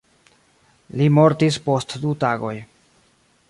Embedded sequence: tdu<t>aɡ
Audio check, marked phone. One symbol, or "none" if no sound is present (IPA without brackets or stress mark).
t